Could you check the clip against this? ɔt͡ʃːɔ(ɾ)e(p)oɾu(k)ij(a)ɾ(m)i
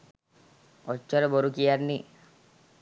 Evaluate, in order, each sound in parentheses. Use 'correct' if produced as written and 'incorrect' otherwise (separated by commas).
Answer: correct, incorrect, correct, correct, incorrect